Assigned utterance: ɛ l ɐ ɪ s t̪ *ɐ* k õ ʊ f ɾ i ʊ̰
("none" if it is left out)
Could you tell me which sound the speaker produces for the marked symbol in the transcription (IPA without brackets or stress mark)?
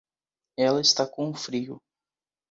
a